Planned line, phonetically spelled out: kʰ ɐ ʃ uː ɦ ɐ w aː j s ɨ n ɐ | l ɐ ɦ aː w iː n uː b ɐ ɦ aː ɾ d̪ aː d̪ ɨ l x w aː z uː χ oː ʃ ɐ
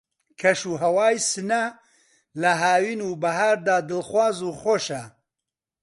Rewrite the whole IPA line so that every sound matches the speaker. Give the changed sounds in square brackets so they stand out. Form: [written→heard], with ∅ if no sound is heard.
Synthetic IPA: kʰ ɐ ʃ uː ɦ ɐ w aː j s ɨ n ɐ | l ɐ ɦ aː w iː n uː b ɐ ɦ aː ɾ d̪ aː d̪ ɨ l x w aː z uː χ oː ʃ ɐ